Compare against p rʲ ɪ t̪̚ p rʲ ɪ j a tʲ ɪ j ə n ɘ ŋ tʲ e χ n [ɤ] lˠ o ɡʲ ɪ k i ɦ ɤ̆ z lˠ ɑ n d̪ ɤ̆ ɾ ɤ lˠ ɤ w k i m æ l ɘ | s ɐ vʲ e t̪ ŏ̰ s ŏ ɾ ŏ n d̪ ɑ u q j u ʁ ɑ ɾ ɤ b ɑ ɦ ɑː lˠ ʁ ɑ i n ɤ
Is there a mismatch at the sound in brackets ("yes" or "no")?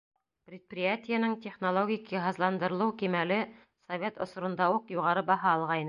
yes